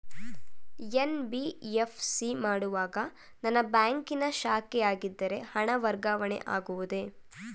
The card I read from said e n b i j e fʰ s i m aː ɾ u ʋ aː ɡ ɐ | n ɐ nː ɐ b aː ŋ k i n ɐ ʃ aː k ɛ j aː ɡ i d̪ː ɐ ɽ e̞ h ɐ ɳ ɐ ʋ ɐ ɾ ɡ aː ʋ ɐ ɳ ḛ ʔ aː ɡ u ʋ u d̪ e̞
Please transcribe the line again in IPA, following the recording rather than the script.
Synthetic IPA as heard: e n b i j e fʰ s i m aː ɽ u ʋ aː ɡ ɐ | n ɐ nː ɐ b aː ŋ k i n ɐ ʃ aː k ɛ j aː ɡ i d̪ː ɐ ɾ e̞ h ɐ ɳ ɐ ʋ ɐ ɾ ɡ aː ʋ ɐ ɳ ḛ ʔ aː ɡ u ʋ u d̪ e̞